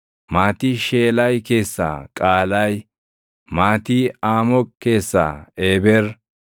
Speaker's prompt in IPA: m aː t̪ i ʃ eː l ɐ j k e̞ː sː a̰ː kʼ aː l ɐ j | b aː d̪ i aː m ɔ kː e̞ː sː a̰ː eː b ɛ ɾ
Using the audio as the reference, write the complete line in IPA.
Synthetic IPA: m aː t̪ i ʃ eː l ɐ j k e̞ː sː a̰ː kʼ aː l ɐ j | m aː t̪ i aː m ɔ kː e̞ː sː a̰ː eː b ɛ ɾ